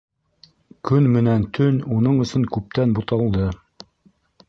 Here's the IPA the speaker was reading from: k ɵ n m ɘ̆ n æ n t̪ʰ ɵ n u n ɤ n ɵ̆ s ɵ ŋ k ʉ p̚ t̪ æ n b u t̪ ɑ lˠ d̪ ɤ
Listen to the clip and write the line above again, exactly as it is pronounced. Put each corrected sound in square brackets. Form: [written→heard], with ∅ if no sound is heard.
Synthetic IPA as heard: k ɵ n m ɘ̆ n æ n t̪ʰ ɵ n u n ɤ [n→ɴ] ɵ̆ s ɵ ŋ k ʉ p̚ t̪ æ n b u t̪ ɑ lˠ d̪ ɤ